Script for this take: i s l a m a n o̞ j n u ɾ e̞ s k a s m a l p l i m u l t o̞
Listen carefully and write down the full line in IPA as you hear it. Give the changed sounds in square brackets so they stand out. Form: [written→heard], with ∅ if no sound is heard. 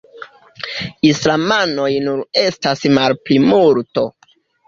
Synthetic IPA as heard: i s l a m a n o̞ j n u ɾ e̞ s [k→t] a s m a l p l i m u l t o̞